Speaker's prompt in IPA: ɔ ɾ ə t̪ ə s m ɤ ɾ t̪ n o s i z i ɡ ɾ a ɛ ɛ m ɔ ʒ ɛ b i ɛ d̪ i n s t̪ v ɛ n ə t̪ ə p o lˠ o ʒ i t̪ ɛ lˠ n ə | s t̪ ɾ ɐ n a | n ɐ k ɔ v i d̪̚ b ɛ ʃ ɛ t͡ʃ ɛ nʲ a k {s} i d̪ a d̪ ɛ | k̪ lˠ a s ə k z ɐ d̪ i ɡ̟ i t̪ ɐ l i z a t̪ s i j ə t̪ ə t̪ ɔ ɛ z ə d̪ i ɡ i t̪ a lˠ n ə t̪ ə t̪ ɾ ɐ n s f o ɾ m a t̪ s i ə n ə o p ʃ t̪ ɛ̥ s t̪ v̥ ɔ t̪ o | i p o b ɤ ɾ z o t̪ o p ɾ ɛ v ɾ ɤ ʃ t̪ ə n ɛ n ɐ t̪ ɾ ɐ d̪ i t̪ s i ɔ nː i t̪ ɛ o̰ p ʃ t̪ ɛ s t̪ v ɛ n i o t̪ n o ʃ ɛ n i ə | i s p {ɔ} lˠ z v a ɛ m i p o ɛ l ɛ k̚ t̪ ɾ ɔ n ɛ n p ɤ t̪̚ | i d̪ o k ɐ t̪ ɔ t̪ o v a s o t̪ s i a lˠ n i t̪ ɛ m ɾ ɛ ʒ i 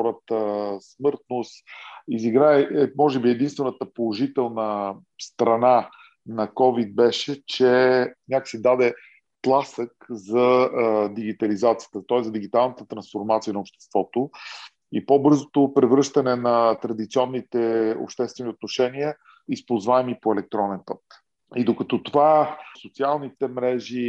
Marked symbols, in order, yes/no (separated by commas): yes, no